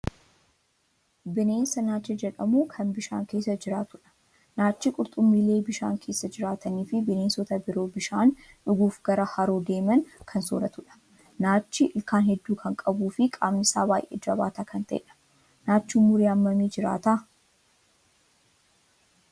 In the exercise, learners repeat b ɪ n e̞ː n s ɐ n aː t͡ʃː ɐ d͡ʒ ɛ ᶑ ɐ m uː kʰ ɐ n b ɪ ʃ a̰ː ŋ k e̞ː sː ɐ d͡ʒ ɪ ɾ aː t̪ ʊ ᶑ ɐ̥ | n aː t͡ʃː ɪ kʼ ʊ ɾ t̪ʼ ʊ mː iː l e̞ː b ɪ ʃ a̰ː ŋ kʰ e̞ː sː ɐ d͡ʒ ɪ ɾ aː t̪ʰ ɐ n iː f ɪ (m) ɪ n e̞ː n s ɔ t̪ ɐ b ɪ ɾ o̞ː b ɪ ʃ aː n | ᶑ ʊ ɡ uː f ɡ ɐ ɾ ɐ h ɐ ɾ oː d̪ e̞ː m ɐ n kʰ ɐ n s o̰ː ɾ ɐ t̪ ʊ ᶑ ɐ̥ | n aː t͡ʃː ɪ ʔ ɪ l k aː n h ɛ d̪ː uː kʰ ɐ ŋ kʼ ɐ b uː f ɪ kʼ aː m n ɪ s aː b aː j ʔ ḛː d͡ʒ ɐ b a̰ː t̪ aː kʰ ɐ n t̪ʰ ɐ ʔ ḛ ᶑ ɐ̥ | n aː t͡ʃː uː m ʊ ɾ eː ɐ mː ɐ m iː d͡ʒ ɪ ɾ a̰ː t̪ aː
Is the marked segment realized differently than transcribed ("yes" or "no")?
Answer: yes